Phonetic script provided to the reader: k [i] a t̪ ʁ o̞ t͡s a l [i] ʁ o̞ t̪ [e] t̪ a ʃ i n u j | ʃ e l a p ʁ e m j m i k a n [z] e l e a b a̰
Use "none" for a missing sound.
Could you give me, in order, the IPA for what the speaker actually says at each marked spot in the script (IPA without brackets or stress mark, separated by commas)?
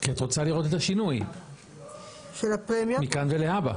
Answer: i, i, e, v